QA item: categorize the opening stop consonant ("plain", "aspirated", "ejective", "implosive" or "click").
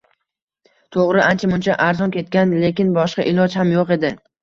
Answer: aspirated